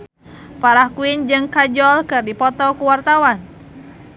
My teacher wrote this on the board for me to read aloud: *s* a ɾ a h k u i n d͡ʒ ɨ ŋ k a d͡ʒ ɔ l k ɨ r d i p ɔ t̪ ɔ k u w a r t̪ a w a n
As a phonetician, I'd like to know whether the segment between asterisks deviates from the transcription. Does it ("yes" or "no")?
yes